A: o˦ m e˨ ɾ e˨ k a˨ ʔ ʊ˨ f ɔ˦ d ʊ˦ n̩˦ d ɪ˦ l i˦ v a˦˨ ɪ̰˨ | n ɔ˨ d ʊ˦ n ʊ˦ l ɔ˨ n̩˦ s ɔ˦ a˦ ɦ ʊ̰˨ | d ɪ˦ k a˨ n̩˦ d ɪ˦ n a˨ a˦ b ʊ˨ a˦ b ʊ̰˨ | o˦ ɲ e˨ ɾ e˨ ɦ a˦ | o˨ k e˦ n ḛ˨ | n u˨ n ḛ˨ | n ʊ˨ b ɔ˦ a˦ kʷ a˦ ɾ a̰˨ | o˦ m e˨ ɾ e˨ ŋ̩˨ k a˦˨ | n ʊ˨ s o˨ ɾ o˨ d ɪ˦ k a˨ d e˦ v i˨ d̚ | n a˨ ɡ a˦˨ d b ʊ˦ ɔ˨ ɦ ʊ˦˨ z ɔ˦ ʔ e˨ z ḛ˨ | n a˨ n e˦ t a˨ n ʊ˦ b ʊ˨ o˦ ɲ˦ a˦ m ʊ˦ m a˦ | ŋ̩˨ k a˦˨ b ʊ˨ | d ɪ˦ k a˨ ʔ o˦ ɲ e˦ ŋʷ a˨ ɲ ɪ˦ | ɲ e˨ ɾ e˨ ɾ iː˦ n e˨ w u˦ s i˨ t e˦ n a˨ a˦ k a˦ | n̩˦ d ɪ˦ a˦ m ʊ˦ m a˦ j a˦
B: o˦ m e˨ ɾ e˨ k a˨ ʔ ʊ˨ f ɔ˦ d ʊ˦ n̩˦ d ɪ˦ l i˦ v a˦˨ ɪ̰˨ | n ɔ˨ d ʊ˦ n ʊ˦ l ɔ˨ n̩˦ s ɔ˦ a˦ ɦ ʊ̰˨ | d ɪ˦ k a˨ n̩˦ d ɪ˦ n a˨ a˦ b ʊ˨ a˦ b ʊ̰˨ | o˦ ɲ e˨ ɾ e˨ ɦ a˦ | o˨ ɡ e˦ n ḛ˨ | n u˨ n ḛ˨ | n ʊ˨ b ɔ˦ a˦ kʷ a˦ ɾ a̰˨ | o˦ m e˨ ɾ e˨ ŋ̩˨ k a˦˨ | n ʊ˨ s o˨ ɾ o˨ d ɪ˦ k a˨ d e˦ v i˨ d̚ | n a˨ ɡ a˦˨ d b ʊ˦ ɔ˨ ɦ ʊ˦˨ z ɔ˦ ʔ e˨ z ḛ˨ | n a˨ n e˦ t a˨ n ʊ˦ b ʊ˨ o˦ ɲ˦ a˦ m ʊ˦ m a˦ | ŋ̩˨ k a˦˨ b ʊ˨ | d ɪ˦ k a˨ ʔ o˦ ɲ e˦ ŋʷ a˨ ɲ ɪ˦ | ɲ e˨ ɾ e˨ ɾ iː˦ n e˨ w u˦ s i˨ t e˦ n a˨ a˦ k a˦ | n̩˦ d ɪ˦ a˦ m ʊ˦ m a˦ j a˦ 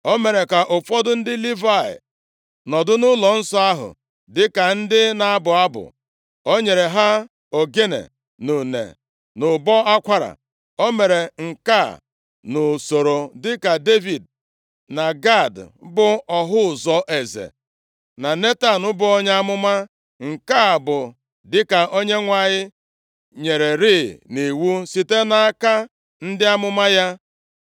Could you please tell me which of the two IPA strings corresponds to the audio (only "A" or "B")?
B